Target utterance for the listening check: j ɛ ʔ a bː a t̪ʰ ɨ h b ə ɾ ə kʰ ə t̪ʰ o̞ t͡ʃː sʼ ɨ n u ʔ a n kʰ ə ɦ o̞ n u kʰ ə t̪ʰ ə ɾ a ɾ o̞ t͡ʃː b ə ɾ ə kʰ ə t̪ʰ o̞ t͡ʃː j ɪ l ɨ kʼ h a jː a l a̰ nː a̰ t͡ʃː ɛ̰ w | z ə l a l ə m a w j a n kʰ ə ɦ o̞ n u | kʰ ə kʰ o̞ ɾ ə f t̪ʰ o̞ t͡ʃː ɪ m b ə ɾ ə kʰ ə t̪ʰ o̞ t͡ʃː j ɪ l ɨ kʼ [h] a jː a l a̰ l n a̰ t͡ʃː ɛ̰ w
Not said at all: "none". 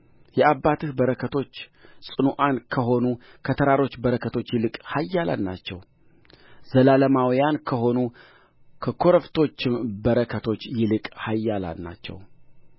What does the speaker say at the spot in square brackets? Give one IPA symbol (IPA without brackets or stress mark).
h